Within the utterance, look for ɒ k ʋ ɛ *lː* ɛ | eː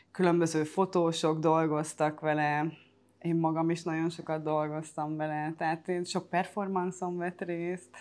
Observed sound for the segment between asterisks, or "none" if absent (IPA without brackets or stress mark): l